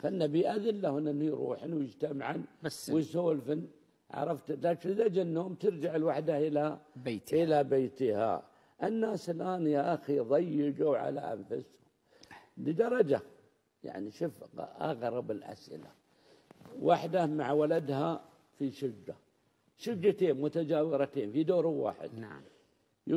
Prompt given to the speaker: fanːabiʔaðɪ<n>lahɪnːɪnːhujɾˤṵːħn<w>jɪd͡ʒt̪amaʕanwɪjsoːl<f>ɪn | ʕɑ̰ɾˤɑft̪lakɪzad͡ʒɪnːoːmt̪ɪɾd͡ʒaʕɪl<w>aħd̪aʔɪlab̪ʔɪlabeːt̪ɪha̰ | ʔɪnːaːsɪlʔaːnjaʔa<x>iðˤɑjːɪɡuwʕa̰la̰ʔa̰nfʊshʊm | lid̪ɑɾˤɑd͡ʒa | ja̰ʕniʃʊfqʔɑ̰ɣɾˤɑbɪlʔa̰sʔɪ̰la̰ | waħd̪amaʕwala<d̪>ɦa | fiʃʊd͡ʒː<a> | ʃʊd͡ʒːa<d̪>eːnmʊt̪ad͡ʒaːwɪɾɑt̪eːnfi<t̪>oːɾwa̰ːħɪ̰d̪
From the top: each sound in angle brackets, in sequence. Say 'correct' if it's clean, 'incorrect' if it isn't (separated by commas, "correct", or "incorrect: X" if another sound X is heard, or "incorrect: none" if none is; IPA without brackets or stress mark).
correct, correct, correct, correct, correct, correct, correct, incorrect: t̪, incorrect: d̪